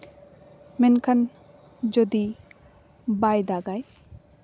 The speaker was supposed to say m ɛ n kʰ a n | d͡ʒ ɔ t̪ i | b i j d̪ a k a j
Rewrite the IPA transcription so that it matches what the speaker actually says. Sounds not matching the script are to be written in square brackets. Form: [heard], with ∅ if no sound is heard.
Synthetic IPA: m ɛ n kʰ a n | d͡ʒ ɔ [d̪] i | b [a] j d̪ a [ɡ] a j